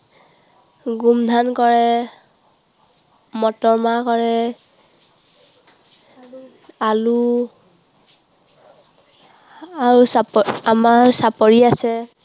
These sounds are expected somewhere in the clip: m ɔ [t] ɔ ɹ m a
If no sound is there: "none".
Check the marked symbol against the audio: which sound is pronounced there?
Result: t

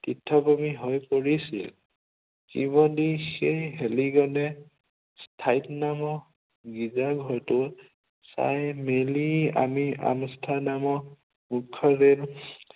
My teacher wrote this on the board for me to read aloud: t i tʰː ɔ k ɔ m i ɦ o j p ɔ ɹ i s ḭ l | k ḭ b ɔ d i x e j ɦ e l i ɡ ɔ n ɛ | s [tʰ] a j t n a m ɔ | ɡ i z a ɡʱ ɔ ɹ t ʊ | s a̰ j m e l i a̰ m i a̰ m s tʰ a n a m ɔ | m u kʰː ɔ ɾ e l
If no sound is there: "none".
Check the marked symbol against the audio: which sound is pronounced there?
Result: tʰ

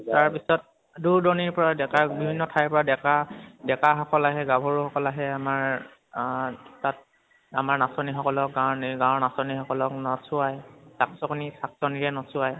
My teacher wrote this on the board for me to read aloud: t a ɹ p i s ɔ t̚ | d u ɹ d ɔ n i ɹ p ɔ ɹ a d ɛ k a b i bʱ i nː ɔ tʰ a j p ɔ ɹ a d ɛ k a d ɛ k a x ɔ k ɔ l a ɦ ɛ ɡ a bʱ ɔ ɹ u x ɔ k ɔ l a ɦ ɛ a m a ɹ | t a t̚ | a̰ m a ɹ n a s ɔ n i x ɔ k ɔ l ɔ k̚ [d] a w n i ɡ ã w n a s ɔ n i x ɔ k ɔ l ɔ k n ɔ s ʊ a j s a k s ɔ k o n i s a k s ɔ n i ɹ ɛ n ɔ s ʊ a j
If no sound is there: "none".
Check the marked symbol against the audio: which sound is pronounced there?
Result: ɡ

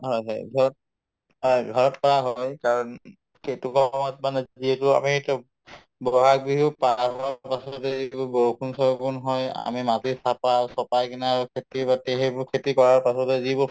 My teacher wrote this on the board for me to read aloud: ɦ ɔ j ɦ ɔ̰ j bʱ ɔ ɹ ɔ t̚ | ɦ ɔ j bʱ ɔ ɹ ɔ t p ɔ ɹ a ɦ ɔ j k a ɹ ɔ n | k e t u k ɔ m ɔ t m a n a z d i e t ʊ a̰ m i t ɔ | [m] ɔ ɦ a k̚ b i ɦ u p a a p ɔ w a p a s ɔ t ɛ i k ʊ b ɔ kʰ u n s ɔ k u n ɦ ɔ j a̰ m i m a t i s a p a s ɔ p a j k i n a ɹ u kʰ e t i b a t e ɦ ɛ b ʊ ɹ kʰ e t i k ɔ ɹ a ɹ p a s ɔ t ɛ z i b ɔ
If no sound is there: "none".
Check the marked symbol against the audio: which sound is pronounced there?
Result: b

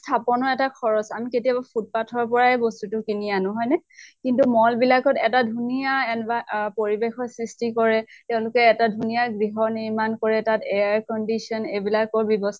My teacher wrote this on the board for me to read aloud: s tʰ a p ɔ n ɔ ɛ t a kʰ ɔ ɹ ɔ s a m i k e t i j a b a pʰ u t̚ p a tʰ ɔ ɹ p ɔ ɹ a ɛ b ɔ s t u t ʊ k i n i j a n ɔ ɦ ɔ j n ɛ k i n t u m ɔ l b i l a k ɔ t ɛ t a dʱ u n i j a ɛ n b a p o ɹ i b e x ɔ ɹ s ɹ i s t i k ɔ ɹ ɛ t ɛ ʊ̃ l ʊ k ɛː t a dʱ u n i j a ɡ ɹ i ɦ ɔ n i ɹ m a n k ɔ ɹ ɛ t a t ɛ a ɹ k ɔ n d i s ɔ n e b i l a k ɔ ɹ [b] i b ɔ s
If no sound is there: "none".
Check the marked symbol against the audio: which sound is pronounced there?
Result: b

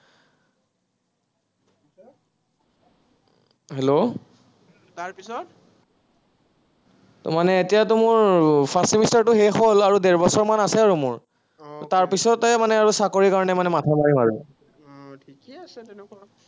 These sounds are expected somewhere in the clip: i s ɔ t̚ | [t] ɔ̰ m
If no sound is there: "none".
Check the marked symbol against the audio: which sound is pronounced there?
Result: t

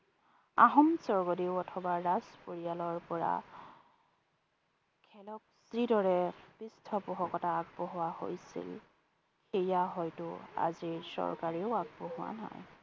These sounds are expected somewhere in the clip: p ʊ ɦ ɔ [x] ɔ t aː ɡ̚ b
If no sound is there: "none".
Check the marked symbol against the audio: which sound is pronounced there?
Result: k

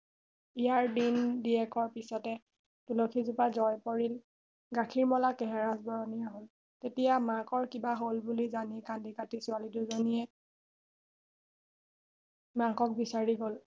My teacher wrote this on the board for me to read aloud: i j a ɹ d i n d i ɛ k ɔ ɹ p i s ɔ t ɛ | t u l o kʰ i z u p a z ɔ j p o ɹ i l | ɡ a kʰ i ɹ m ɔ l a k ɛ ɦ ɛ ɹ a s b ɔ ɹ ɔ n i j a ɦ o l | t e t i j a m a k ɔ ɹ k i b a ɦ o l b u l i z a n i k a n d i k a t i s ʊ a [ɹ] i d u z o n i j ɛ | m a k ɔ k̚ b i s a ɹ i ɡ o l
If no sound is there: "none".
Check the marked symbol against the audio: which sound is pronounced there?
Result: l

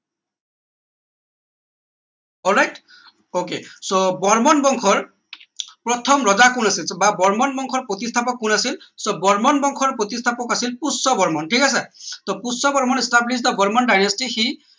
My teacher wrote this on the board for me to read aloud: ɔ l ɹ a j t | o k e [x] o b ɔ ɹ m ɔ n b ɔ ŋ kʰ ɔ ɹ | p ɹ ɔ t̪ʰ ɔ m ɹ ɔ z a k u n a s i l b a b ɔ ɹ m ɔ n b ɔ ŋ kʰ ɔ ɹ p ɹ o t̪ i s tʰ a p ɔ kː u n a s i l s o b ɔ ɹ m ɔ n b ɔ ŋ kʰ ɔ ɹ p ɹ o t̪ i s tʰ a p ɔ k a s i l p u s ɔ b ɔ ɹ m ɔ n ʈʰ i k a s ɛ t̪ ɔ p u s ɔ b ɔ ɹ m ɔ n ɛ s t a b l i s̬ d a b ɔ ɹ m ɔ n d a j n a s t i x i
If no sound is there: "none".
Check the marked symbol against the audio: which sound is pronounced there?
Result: s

